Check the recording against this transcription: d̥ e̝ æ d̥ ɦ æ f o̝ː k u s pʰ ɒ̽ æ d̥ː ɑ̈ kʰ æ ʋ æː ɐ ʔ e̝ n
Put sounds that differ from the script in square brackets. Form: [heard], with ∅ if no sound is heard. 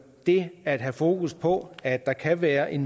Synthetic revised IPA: d̥ e̝ æ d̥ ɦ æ f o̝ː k u s pʰ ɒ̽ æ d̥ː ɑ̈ kʰ æ ʋ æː ɐ ʔ e̝ n